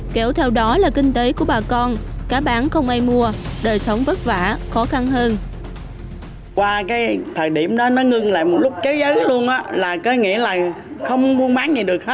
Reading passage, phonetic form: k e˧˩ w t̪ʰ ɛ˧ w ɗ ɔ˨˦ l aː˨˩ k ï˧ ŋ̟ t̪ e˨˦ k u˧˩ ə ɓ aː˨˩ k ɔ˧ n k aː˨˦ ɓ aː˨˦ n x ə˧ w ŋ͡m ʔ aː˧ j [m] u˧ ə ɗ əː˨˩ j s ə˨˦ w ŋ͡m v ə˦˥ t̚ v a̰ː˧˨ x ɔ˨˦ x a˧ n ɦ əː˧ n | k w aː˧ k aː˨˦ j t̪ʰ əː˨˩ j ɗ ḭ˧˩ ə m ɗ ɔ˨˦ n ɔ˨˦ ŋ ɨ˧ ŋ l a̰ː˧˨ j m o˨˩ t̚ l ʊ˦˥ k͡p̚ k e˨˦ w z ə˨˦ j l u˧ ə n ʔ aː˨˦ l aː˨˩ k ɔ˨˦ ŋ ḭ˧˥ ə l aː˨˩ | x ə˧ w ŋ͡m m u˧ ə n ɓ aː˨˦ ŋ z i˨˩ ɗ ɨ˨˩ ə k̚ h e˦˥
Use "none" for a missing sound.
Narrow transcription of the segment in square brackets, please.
m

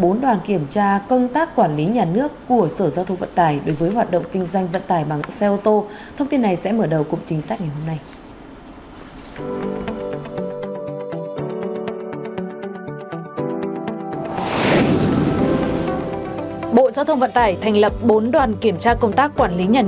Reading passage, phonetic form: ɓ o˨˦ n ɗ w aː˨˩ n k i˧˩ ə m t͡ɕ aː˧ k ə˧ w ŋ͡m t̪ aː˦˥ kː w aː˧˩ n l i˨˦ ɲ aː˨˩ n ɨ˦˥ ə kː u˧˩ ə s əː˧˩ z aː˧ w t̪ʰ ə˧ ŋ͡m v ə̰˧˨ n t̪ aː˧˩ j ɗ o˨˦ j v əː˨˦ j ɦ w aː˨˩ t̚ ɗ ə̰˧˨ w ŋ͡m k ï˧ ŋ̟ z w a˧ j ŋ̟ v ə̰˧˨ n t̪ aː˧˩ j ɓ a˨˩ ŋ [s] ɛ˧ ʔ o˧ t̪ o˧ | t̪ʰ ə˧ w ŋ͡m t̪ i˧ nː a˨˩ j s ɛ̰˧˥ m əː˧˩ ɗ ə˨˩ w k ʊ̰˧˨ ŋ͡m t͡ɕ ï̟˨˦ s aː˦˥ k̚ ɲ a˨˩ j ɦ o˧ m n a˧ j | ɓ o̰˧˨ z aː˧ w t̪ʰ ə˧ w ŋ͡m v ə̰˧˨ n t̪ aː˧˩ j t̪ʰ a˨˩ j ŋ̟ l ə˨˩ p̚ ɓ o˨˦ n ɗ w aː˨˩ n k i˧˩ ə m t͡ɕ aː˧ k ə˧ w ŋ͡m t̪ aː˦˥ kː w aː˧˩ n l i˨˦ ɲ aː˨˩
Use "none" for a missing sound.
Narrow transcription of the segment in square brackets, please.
s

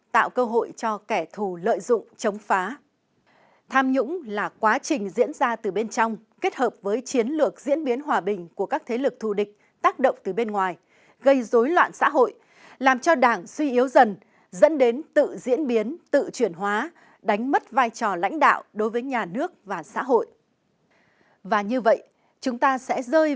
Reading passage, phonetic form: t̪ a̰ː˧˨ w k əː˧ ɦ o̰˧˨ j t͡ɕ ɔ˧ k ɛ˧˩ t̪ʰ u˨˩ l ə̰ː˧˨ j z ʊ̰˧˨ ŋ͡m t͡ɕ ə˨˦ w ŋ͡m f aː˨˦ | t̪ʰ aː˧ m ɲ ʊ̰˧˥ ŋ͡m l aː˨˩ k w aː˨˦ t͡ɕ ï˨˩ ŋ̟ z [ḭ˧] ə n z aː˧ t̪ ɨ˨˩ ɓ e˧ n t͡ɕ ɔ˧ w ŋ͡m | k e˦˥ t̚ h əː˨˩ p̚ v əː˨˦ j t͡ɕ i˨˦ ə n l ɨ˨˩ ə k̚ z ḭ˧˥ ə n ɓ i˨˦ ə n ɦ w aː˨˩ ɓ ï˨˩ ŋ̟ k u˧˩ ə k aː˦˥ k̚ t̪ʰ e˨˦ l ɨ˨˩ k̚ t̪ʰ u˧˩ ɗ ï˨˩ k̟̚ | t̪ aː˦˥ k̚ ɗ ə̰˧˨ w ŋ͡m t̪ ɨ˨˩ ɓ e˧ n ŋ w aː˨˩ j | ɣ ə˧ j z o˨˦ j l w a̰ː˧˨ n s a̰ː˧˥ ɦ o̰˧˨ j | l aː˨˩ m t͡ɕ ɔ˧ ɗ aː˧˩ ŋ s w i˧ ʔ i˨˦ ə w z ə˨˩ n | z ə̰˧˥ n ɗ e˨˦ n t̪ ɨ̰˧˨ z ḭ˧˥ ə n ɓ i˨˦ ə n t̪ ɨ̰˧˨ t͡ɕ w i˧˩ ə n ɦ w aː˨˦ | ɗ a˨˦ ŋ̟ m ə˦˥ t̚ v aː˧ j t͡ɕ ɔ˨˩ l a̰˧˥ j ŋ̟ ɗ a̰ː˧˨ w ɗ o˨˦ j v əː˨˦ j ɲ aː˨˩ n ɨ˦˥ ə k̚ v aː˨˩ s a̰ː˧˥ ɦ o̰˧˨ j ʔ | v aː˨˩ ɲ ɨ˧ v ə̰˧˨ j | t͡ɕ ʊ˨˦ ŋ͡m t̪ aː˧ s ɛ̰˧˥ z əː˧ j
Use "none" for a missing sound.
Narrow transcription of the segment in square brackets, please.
ḭ˧˥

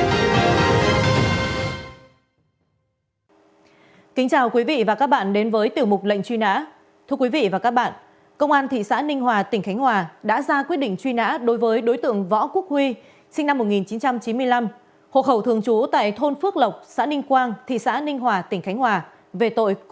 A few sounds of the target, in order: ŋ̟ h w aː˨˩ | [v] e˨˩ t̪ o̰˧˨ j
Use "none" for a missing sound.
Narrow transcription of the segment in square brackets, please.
v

